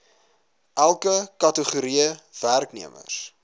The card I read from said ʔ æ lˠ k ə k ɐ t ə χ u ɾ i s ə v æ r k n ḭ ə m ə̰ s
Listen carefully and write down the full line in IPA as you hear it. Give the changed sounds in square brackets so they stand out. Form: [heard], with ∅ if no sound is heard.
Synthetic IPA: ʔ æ lˠ k ə k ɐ t ə χ u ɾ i [∅] ə v æ r k n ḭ ə m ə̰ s